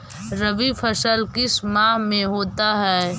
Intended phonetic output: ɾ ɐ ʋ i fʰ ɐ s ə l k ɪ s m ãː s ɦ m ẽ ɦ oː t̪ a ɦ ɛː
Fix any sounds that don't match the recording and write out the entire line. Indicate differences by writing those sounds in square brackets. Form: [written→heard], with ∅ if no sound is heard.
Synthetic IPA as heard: ɾ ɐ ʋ i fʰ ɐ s ə l k ɪ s m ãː [s→∅] ɦ m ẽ ɦ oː t̪ a ɦ ɛː